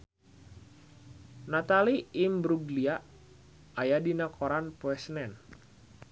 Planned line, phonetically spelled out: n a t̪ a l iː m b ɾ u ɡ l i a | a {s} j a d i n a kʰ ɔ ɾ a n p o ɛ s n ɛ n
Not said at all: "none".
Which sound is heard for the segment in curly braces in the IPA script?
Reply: none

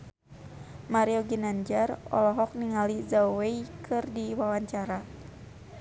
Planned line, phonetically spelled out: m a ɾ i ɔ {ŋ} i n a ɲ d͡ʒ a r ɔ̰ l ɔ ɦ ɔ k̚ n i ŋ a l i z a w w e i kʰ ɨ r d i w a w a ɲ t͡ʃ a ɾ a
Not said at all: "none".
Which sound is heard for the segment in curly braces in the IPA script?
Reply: ɡ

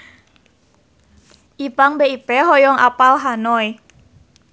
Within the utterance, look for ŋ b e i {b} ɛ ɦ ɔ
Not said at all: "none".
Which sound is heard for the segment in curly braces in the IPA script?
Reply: p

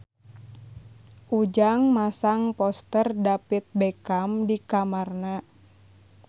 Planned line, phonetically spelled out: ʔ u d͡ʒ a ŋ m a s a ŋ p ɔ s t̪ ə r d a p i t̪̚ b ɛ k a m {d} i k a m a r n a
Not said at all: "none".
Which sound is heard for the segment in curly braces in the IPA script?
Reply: d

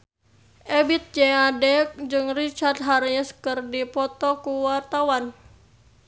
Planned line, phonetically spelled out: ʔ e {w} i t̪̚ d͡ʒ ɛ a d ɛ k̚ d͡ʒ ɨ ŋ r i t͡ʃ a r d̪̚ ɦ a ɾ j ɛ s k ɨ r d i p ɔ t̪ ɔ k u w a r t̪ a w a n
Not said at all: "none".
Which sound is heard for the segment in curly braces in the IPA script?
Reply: b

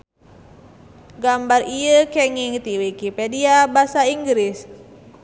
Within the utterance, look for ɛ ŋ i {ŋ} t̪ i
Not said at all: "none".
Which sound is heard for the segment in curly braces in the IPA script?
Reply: ŋ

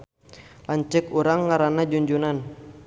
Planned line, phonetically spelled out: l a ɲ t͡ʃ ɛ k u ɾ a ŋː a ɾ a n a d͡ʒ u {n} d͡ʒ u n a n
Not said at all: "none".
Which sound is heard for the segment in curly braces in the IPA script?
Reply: ɲ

